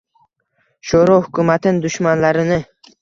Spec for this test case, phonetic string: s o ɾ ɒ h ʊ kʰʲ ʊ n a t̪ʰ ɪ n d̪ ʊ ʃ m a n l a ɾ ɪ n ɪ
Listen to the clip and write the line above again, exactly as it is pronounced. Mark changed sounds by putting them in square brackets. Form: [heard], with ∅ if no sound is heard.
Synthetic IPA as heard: [ʃ] o ɾ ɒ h ʊ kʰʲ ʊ [m] a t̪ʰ ɪ n d̪ ʊ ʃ m a n l a ɾ ɪ n ɪ